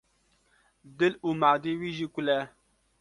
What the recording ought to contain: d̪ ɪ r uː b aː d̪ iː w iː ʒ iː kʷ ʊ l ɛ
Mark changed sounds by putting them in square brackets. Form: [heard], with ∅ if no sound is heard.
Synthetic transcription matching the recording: d̪ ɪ [l] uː [m] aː d̪ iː w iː ʒ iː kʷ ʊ l ɛ